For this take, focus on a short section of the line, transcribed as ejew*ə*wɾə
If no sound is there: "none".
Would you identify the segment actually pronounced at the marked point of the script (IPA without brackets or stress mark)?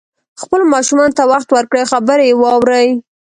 ɑ